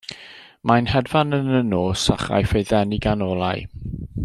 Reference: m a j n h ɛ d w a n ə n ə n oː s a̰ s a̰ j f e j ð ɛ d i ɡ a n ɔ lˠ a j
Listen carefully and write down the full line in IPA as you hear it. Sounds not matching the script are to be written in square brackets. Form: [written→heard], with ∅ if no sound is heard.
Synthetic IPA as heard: m a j n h ɛ d [w→v] a n ə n ə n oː s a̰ [s→χ] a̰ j f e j ð ɛ [d→n] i ɡ a n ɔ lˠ a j